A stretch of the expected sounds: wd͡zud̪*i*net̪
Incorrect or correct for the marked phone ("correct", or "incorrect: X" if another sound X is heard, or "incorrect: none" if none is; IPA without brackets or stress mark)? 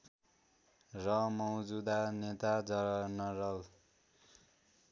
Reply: incorrect: a